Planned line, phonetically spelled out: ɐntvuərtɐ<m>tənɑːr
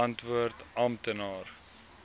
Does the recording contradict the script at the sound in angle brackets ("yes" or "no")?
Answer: no